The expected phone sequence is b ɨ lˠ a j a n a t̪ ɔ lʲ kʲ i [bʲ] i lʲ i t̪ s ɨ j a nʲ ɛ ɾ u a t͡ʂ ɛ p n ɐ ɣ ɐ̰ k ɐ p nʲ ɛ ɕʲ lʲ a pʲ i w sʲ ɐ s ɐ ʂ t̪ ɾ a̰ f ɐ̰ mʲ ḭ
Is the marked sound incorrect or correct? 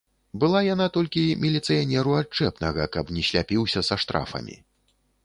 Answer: incorrect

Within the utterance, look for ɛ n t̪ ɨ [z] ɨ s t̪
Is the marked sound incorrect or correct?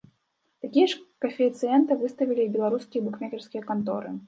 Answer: incorrect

